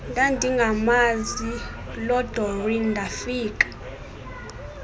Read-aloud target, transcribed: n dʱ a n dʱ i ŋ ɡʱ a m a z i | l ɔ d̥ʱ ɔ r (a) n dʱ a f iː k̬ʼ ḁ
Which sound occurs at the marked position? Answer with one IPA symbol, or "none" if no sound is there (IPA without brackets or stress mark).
i